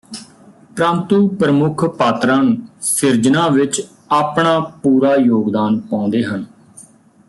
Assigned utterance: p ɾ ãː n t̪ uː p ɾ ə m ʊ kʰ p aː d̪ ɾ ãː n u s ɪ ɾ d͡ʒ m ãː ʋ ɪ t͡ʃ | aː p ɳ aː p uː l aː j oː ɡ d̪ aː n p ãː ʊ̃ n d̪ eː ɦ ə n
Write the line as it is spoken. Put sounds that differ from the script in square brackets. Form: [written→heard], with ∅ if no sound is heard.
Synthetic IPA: p ɾ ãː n t̪ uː p ɾ ə m ʊ kʰ p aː [d̪→t̪] ɾ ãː n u s ɪ ɾ d͡ʒ [m→n] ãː ʋ ɪ t͡ʃ | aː p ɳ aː p uː [l→ɾ] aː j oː ɡ d̪ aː n p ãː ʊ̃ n d̪ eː ɦ ə n